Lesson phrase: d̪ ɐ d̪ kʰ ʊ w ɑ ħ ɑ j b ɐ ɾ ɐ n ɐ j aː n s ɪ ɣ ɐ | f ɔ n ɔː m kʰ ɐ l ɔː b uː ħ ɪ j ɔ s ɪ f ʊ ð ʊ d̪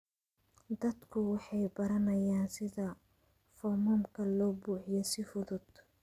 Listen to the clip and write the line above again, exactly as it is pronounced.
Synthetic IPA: d̪ ɐ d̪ kʰ ʊ w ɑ ħ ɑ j b ɐ ɾ ɐ n ɐ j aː n s ɪ ð ɐ | f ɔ m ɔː m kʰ ɐ l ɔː b uː ħ ɪ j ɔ s ɪ f ʊ ð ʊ d̪